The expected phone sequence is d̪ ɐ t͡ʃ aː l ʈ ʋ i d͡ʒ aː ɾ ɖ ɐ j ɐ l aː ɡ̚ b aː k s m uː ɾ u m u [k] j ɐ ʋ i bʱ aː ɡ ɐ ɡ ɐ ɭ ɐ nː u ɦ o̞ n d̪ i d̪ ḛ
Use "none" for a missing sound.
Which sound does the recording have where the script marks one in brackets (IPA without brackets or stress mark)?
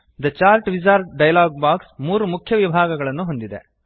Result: kʰ